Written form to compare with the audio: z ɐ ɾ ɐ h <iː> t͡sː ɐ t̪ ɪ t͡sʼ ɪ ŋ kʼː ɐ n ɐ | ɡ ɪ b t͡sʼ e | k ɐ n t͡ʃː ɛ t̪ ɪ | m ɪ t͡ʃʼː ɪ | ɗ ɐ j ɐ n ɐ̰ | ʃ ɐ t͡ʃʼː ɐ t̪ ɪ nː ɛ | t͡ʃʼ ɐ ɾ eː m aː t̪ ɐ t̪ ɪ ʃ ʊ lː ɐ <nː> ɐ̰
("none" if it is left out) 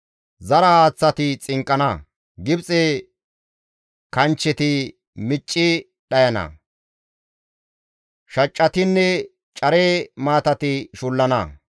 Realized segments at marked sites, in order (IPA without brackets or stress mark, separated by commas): aː, n